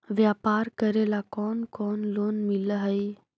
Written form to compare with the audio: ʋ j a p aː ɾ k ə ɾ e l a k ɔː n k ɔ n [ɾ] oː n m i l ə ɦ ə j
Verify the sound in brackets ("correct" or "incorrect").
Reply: incorrect